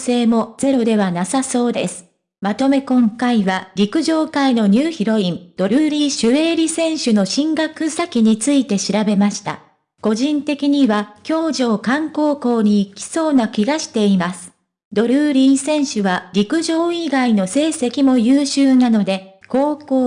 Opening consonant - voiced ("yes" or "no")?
no